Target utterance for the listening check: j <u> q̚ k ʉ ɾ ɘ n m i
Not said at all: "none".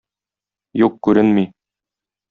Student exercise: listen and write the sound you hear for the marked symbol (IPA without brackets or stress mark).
u